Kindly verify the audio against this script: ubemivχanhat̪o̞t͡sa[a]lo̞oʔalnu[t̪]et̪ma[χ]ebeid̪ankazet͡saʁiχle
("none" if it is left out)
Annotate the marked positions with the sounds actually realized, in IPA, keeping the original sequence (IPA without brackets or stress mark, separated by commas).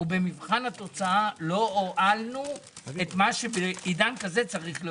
a, none, ʃ